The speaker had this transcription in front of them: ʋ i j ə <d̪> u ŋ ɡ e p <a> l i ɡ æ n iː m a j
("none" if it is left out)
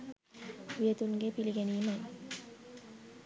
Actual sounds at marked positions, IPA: t̪, i

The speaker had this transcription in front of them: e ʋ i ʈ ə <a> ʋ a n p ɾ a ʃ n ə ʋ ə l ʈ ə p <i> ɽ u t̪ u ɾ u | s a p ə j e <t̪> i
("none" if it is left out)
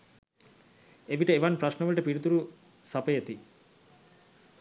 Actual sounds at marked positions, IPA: e, i, t̪

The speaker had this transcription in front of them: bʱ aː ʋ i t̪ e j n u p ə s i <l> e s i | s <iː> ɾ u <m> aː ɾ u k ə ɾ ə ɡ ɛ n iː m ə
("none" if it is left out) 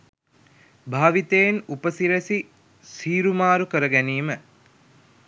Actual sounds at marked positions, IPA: ɾ, iː, m

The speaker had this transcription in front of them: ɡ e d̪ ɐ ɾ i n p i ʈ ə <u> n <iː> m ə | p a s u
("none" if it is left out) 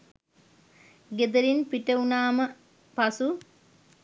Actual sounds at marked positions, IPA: u, aː

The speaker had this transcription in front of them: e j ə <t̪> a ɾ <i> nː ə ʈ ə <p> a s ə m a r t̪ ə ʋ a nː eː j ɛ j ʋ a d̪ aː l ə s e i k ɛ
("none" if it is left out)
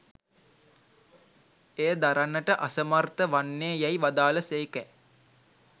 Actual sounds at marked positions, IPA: d̪, a, ʔ

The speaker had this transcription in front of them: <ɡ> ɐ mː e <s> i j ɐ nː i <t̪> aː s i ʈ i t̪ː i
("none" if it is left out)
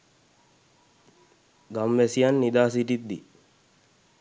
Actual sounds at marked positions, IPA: ɡ, s, d̪

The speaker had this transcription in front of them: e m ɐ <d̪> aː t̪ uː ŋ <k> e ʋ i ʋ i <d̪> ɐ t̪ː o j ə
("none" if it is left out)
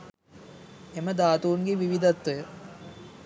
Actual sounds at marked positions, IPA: d̪, ɡ, d̪

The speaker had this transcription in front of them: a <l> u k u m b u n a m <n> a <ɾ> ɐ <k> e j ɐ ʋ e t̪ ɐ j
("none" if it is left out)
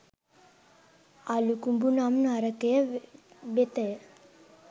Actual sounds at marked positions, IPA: l, n, ɾ, k

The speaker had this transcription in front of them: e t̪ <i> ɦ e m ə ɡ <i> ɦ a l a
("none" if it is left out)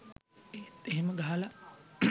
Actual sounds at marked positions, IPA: e, a

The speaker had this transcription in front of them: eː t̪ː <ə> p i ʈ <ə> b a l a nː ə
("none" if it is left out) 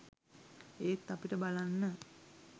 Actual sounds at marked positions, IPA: a, ə

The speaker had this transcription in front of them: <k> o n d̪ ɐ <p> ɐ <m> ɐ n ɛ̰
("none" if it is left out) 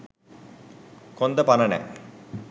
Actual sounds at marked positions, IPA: k, p, n

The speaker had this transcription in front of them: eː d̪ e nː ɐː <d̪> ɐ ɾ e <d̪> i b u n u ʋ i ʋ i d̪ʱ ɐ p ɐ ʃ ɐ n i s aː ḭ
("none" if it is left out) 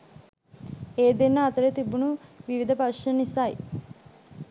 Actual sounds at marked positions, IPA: t̪, t̪

